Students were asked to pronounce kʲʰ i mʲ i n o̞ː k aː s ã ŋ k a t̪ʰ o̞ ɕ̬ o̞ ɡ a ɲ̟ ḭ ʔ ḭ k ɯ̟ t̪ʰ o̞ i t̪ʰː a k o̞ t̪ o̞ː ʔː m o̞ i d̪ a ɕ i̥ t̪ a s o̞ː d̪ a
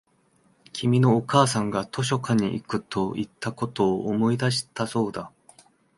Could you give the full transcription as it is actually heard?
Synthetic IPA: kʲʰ i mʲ i n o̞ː k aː s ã ŋ ɡ a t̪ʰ o̞ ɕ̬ o̞ k a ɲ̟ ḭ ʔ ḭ k ɯ̟ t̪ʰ o̞ i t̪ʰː a k o̞ t̪ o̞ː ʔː m o̞ i d̪ a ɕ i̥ t̪ a s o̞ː d̪ a